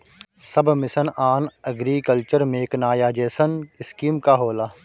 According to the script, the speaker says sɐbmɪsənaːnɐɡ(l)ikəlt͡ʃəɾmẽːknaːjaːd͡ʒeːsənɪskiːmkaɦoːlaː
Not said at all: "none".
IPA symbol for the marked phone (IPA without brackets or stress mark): ɾ